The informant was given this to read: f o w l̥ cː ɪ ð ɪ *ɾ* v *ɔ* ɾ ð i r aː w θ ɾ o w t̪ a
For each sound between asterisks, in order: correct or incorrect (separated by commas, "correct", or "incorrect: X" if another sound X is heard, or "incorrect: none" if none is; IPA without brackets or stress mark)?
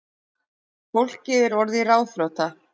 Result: correct, correct